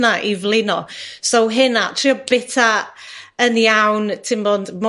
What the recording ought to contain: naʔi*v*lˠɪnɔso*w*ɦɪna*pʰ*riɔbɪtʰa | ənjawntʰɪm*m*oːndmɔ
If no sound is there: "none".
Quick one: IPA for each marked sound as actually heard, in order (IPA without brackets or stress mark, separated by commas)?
v, w, tʰ, b